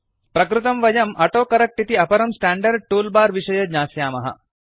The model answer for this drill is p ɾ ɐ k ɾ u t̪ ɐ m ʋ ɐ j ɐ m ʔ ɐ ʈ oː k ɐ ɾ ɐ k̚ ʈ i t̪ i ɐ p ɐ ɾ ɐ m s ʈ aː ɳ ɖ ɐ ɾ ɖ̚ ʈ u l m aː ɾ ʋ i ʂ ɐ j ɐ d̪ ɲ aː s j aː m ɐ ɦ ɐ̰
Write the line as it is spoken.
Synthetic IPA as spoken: p ɾ ɐ k ɾ u t̪ ɐ m ʋ ɐ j ɐ m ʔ ɐ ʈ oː k ɐ ɾ ɐ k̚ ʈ i t̪ i ɐ p ɐ ɾ ɐ m s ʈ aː ɳ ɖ ɐ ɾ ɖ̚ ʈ uː l b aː ɾ ʋ i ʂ ɐ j ɐ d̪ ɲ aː s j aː m ɐ ɦ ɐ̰